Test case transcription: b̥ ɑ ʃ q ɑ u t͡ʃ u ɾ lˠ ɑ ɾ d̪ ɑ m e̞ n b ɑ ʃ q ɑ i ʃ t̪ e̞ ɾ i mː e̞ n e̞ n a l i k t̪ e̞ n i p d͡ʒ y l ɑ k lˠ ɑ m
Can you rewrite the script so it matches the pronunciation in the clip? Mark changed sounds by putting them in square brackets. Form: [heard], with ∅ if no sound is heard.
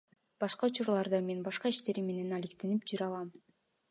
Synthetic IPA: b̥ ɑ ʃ q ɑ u t͡ʃ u ɾ lˠ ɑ ɾ d̪ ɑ m e̞ n b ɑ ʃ q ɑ i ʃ t̪ e̞ ɾ i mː e̞ n e̞ n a l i k t̪ e̞ n i p d͡ʒ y [ɾ] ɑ [∅] lˠ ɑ m